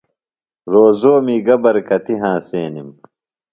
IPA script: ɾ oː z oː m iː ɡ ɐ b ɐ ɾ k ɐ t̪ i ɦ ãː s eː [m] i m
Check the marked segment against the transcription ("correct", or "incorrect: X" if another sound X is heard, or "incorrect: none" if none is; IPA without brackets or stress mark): incorrect: n